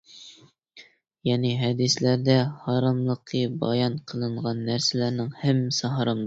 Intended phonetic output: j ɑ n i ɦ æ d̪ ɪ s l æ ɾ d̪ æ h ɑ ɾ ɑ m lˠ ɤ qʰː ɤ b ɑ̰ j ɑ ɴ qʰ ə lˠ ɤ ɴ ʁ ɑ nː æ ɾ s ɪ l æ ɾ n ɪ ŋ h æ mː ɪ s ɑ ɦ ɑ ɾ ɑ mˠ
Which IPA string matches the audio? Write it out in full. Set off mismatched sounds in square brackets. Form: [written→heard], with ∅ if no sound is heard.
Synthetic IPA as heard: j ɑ n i ɦ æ d̪ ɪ s l æ ɾ d̪ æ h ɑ ɾ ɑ m lˠ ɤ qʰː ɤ b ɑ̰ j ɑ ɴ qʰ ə lˠ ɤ ɴ ʁ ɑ nː æ ɾ s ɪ l æ ɾ n ɪ ŋ h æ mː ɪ s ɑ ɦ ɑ ɾ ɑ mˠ